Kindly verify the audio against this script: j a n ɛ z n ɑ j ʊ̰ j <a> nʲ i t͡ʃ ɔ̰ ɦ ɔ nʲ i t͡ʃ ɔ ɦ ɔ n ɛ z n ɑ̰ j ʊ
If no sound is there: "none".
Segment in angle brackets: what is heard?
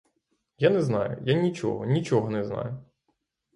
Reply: a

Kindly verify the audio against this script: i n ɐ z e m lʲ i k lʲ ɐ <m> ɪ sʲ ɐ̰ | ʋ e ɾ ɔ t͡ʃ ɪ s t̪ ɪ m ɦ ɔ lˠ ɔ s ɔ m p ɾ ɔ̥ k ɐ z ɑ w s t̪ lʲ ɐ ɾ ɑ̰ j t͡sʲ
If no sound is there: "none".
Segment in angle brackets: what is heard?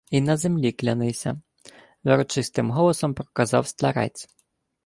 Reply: n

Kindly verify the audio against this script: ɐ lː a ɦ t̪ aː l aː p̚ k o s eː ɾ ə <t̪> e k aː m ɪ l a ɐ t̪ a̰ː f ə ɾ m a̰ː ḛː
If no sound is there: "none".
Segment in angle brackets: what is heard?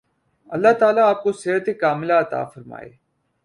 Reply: t̪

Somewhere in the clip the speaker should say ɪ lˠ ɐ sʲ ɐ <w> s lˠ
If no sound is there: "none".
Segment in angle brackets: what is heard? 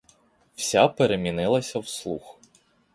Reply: w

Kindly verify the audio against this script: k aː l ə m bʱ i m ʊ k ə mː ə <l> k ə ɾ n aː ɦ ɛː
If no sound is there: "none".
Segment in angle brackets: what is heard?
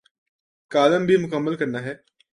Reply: l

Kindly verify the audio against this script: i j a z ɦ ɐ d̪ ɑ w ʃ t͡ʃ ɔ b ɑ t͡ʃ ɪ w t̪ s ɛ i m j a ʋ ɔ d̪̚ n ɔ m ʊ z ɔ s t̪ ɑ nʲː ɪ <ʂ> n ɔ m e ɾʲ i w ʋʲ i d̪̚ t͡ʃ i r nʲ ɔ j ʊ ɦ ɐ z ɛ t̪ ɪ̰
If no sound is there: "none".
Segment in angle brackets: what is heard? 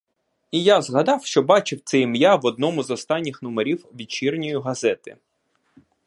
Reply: x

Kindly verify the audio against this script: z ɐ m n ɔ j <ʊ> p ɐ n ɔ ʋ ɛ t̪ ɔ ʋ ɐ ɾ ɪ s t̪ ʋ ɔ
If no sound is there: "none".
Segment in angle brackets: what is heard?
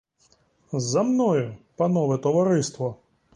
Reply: ʊ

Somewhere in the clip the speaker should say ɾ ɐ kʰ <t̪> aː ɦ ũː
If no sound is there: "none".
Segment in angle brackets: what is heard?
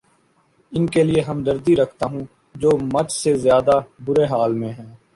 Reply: t̪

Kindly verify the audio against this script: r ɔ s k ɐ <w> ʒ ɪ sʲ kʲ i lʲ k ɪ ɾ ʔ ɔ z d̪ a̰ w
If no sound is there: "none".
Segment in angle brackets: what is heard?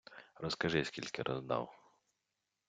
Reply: none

